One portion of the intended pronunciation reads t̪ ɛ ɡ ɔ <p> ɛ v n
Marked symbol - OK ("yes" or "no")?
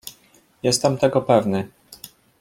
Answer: yes